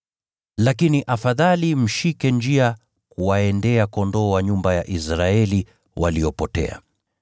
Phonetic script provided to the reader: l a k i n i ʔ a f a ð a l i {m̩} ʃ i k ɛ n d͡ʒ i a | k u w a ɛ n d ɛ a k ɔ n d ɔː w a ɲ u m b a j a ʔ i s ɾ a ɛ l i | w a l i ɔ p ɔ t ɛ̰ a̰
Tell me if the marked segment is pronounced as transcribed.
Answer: yes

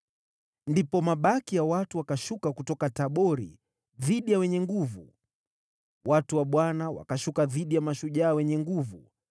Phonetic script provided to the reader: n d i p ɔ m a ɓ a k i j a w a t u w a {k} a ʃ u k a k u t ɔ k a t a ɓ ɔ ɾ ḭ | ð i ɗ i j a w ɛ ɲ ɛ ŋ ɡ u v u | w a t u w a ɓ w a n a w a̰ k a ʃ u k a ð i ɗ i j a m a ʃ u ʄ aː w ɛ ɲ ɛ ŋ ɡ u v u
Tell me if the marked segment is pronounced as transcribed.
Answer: yes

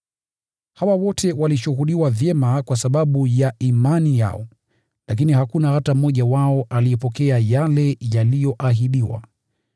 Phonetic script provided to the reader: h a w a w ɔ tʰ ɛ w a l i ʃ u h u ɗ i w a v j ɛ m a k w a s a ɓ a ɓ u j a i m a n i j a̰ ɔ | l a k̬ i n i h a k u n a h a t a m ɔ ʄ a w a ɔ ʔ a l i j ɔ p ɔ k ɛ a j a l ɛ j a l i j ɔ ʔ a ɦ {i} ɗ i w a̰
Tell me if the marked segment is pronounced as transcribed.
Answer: yes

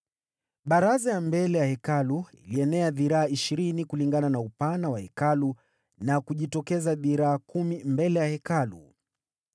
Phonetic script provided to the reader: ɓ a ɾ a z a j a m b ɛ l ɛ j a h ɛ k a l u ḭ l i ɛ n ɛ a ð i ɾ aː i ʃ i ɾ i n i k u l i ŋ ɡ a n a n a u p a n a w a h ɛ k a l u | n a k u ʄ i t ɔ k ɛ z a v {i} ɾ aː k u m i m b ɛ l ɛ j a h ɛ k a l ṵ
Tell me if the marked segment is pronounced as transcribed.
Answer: yes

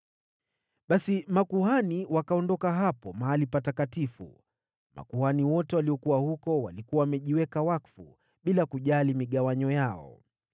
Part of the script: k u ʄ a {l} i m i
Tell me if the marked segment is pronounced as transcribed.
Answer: yes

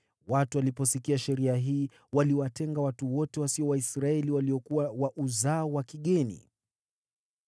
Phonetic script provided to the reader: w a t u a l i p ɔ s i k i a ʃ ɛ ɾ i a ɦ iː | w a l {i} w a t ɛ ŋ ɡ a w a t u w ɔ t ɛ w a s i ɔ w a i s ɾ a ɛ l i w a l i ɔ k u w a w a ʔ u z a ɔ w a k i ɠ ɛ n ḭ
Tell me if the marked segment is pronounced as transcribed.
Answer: yes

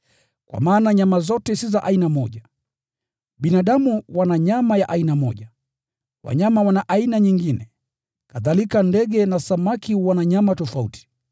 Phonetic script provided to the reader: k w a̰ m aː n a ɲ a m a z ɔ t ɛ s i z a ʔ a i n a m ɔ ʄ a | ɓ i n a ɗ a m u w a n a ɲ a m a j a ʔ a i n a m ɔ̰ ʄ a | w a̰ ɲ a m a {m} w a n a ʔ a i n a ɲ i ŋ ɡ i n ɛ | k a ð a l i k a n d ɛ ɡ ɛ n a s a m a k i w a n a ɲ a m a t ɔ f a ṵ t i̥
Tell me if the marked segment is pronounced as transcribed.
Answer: no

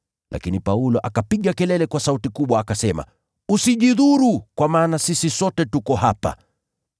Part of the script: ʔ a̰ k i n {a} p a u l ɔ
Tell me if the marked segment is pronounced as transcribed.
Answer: no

